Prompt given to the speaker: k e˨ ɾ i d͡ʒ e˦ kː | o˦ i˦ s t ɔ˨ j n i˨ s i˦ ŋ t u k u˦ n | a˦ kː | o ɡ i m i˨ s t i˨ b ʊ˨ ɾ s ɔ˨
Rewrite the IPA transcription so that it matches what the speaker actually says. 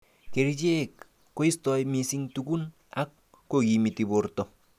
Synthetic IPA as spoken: k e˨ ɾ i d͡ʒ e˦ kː | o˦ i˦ s t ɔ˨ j m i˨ s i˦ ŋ t u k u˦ n | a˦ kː | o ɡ i m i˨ t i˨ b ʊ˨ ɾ t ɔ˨

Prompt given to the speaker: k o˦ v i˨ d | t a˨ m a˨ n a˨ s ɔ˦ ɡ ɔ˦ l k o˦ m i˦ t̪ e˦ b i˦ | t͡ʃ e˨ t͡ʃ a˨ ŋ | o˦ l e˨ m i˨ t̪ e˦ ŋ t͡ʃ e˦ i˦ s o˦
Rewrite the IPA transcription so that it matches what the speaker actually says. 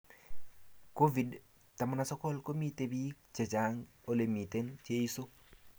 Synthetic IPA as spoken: k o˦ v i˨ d | t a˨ m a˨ n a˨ s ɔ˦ k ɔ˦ l k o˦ m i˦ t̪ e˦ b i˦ | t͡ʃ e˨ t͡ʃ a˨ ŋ | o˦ l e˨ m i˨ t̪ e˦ n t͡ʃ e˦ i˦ s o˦

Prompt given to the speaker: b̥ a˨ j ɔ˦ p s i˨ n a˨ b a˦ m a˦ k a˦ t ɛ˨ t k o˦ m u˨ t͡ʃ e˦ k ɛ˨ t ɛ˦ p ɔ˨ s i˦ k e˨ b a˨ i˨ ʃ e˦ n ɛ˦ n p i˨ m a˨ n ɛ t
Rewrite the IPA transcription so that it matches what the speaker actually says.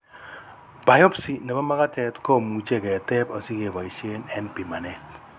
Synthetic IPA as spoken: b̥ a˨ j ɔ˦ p s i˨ n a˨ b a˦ m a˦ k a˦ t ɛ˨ t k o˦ m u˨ t͡ʃ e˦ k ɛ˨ t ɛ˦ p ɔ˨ s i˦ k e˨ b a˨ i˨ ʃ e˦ n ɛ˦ n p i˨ m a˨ n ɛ t

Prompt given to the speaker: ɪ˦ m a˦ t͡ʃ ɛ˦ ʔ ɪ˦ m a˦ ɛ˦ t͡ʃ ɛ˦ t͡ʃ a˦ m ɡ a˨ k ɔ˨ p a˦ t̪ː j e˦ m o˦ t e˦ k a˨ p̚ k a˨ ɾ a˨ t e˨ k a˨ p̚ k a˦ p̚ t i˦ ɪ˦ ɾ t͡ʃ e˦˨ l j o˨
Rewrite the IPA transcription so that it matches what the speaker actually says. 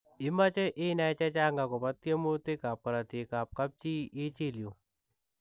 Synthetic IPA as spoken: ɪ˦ m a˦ t͡ʃ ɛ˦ ʔ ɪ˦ n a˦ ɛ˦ t͡ʃ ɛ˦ t͡ʃ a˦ ŋ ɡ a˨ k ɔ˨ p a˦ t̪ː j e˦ m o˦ t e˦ k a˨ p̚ k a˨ ɾ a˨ t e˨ k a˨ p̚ k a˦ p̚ t͡ʃ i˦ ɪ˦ t͡ʃ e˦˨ l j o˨

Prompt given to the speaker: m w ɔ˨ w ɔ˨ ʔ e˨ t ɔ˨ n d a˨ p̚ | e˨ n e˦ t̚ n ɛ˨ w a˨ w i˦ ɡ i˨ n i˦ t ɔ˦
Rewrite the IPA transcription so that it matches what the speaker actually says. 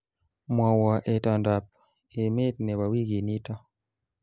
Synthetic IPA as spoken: m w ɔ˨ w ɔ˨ ʔ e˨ t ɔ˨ n d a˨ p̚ | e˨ m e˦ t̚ n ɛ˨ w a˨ w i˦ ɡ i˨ n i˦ t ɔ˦

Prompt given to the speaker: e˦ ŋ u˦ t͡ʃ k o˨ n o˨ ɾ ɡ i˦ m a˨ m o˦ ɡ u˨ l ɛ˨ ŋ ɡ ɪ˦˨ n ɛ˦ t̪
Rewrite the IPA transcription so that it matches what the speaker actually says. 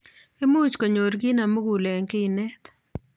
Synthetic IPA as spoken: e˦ m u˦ t͡ʃ k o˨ ɲ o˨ ɾ ɡ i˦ n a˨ m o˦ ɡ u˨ l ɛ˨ ŋ k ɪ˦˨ n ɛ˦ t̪

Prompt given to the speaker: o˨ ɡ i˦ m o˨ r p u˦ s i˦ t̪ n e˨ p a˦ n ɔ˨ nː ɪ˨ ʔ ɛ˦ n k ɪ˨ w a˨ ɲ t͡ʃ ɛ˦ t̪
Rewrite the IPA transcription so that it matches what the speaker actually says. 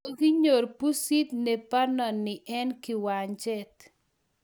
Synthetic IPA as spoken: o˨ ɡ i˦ ɲ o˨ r p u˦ s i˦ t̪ n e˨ p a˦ n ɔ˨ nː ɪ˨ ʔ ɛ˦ n k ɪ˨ w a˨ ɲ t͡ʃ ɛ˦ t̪

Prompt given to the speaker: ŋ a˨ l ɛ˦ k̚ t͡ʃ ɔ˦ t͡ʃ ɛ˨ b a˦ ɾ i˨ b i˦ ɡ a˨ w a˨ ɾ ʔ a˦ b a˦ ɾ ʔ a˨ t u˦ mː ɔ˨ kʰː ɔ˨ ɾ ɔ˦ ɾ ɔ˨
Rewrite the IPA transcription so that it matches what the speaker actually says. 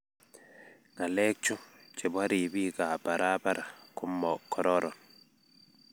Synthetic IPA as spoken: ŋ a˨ l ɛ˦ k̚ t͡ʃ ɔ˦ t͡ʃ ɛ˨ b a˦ ɾ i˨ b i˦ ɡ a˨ b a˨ ɾ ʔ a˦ b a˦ ɾ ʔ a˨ k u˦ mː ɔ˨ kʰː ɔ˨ ɾ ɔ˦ ɾ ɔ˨

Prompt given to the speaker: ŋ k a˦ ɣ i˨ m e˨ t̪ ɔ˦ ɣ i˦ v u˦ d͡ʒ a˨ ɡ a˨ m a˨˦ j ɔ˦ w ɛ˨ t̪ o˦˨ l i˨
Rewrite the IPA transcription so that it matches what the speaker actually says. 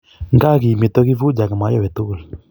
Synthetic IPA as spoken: ŋ ɡ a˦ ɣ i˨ m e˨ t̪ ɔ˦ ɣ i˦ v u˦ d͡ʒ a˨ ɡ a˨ m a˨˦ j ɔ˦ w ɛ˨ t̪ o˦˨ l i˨

